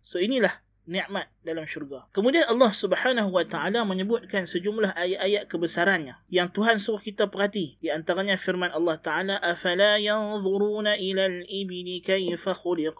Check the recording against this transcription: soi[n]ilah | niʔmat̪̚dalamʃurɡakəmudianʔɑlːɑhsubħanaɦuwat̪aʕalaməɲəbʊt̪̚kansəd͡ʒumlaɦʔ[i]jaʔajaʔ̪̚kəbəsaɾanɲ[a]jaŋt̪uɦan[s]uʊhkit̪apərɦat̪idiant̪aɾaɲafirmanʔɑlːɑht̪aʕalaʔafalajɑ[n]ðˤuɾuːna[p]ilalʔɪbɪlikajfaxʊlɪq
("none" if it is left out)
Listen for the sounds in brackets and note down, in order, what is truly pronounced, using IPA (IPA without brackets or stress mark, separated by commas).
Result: n, a, a, s, n, ʔ